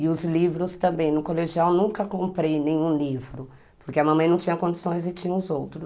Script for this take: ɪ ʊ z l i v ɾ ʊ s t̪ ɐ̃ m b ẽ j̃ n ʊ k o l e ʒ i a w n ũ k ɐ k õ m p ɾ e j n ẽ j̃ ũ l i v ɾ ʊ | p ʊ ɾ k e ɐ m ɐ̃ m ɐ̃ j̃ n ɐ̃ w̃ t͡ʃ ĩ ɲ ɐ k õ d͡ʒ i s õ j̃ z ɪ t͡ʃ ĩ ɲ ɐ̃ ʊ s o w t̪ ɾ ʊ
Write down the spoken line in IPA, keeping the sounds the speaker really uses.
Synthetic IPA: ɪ ʊ z l i v ɾ ʊ s t̪ ɐ̃ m b ẽ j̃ n ʊ k o l e ʒ i a w n ũ k ɐ k õ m p ɾ e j n ẽ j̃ ũ l i v ɾ ʊ | p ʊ ɾ k e ɐ m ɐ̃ m ɐ̃ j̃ n ɐ̃ w̃ t͡ʃ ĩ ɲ ɐ k õ d͡ʒ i s õ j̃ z ɪ t͡ʃ ĩ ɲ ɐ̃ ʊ z o w t̪ ɾ ʊ